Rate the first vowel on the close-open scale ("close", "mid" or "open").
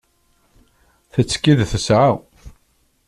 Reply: mid